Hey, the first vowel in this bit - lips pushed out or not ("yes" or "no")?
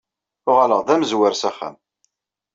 yes